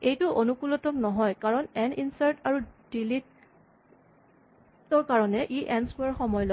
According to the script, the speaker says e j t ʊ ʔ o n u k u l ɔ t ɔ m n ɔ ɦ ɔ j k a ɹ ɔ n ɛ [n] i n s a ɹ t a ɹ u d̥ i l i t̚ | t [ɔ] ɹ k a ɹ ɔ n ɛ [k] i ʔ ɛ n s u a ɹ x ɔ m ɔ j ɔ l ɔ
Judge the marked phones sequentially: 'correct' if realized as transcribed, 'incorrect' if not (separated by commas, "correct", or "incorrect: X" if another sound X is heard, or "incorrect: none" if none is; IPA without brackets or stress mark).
correct, correct, incorrect: ʔ